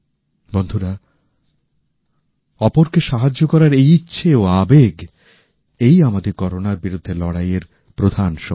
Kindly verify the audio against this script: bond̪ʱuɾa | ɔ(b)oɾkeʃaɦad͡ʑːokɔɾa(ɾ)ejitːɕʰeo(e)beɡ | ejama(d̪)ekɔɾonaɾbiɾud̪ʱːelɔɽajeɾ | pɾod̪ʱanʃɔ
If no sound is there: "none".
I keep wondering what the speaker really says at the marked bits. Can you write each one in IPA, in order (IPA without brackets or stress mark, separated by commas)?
p, ɾ, a, d̪